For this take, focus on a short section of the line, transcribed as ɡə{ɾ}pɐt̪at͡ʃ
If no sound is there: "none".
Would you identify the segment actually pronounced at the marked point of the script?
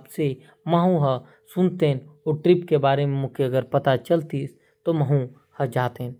ɾ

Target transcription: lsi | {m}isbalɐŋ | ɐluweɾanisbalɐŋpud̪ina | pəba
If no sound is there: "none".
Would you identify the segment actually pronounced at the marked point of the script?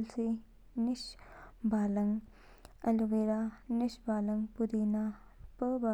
n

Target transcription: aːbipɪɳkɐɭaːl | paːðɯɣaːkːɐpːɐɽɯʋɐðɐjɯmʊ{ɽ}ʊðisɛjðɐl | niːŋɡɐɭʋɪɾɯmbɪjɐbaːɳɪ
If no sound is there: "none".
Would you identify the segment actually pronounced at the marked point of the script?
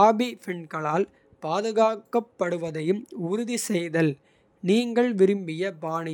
ɾ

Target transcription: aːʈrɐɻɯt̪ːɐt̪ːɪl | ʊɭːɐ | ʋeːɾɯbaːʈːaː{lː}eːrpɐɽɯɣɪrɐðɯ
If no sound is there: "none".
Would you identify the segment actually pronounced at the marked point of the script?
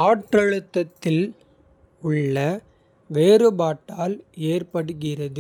l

